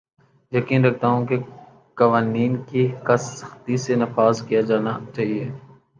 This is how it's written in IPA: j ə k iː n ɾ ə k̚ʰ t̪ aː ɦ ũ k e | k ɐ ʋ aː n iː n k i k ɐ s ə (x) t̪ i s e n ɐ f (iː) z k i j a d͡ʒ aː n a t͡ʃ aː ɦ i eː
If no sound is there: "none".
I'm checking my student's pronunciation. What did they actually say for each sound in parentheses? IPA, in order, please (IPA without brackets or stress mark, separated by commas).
x, aː